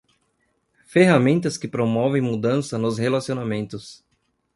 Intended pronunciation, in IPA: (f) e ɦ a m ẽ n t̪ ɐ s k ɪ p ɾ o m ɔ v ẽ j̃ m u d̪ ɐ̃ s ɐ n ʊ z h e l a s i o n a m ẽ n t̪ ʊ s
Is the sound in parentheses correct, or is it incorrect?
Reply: correct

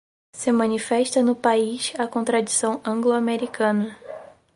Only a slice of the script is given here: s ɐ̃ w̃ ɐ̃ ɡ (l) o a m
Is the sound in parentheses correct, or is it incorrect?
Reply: correct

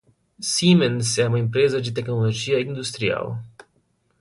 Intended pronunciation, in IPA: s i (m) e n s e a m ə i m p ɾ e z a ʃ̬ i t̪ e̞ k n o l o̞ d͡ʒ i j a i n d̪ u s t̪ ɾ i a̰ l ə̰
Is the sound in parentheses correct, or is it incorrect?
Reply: correct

